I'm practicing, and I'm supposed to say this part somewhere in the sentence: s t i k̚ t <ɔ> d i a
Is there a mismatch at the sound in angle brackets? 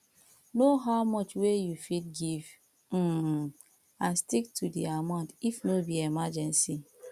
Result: yes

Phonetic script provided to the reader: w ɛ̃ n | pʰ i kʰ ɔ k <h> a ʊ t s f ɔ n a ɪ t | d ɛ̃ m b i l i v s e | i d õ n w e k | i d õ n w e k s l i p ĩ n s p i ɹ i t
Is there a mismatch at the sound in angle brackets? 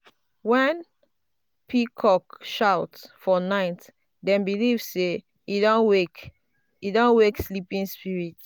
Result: yes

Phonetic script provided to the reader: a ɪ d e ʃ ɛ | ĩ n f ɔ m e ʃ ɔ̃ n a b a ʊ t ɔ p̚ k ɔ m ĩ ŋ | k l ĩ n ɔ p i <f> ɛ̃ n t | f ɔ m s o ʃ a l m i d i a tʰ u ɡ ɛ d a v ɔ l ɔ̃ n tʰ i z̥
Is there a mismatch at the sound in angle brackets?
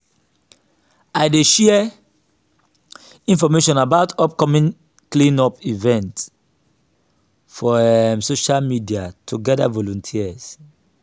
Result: yes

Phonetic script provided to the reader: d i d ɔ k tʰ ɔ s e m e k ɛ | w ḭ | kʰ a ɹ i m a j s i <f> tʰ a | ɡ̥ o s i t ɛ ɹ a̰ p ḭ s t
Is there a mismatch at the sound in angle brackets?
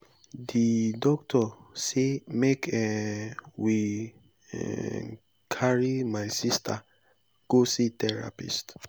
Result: yes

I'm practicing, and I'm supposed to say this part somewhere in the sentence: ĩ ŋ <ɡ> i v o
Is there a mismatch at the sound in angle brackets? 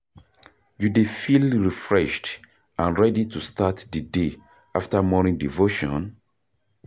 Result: yes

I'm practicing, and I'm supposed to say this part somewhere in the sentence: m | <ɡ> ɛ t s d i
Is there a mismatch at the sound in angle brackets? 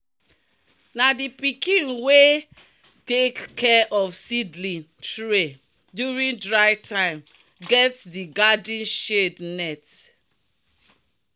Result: no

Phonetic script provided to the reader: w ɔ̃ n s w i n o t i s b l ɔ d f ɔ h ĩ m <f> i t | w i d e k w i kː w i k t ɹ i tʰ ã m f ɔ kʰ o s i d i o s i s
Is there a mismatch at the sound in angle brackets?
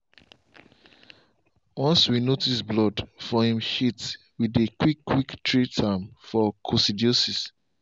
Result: yes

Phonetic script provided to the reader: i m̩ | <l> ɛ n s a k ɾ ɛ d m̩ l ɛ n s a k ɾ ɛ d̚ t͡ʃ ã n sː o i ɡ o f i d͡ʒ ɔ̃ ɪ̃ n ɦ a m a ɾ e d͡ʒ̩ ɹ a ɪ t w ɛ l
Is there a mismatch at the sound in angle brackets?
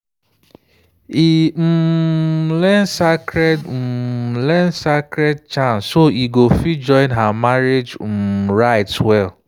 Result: no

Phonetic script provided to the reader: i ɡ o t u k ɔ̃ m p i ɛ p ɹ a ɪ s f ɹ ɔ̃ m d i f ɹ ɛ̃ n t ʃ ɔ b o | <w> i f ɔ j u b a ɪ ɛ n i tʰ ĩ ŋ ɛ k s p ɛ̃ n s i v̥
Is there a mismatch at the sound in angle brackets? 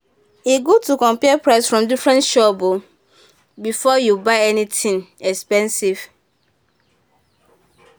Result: yes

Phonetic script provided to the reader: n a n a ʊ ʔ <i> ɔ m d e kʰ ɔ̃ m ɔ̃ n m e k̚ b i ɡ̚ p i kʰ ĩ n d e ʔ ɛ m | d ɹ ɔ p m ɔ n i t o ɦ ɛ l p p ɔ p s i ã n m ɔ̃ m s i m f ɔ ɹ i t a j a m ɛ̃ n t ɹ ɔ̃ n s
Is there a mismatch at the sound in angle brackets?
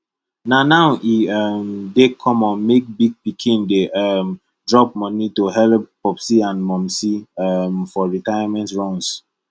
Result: no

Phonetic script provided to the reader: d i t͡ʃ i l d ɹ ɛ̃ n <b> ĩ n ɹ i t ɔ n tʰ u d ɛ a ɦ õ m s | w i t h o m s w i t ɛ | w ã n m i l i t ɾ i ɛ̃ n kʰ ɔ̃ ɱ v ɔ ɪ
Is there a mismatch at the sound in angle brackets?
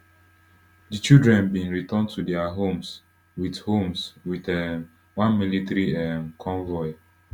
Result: no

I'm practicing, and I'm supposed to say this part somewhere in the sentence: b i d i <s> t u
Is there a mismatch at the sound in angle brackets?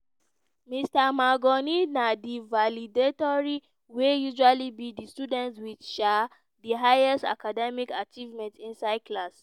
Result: no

